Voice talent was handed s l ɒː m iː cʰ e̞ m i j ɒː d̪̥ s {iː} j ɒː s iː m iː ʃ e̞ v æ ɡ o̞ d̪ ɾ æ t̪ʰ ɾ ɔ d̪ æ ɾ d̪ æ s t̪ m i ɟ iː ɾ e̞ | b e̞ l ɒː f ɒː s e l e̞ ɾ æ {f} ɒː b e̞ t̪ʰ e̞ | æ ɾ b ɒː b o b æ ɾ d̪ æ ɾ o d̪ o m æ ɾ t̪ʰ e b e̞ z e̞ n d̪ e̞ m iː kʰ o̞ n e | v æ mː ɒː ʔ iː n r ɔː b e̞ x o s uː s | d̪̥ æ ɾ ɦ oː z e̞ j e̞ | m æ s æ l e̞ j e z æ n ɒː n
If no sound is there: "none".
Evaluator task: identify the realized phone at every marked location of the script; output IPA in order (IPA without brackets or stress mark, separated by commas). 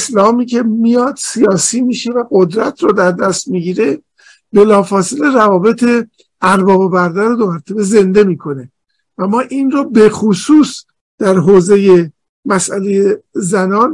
i, v